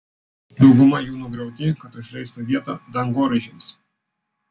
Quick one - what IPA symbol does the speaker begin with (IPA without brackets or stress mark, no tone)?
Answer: d̪